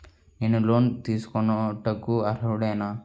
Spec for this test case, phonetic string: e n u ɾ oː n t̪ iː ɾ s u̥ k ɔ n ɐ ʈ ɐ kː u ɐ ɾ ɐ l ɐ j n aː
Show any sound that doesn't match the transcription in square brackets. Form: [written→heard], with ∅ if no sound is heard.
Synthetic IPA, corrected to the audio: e n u [ɾ→l] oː n t̪ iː [ɾ→∅] s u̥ k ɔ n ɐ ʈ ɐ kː u ɐ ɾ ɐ [l→ɽ] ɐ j n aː